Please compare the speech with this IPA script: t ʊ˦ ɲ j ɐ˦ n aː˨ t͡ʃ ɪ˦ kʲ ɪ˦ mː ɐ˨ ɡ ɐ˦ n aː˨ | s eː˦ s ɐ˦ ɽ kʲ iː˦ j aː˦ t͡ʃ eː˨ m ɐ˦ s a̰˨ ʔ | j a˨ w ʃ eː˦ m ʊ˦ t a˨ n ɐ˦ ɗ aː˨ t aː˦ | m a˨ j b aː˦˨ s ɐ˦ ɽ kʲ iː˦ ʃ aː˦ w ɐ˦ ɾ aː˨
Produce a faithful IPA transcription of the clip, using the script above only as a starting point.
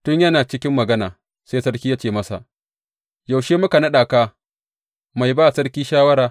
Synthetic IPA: t ʊ˦ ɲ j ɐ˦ n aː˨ t͡ʃ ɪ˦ kʲ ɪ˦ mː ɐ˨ ɡ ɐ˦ n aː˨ | s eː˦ s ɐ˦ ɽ kʲ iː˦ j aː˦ t͡ʃ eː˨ m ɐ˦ s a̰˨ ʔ | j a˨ w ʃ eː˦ m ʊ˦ k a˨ n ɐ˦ ɗ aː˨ k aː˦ | m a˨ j b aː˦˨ s ɐ˦ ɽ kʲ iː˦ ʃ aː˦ w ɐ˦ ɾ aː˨